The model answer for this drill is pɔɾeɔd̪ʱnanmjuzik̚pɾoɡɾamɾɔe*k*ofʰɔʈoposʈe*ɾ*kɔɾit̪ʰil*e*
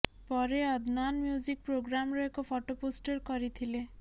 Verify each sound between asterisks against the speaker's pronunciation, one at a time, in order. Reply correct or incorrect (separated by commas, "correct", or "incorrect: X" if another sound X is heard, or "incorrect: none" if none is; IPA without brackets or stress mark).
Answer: correct, correct, correct